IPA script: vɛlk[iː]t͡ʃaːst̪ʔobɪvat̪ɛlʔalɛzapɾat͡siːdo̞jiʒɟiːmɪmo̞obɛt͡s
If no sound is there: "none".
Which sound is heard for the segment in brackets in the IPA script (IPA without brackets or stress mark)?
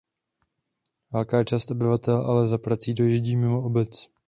aː